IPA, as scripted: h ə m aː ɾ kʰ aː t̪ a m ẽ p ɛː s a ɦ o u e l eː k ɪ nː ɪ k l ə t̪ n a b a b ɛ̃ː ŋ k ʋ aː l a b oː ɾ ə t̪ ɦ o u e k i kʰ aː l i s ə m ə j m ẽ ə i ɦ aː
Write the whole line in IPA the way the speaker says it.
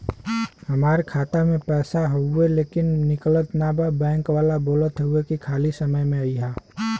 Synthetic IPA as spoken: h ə m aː ɾ kʰ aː t̪ a m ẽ p ɛː s a ɦ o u e l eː k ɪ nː ɪ k l ə t̪ n a b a b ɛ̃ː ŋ k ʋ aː l a b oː l ə t̪ ɦ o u e k i kʰ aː l i s ə m ə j m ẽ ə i ɦ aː